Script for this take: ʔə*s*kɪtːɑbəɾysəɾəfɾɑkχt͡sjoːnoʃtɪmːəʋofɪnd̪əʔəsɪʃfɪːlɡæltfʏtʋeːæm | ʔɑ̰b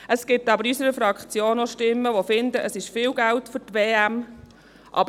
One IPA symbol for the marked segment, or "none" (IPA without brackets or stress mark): s